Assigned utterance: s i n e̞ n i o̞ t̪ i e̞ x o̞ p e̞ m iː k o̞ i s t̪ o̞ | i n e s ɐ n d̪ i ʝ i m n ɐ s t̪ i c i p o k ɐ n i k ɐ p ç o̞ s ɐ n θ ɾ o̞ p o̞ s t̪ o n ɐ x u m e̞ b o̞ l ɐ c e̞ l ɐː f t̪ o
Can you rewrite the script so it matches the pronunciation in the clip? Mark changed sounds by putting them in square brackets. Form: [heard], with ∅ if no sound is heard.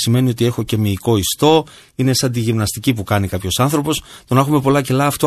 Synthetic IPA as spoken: s i [m] e̞ n i o̞ t̪ i e̞ x o̞ [c] e̞ m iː k o̞ i s t̪ o̞ | i n e s ɐ n d̪ i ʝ i m n ɐ s t̪ i c i p [u] k ɐ n i k ɐ p ç o̞ s ɐ n θ ɾ o̞ p o̞ s t̪ o n ɐ x u m e̞ [p] o̞ l ɐ c e̞ l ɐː f t̪ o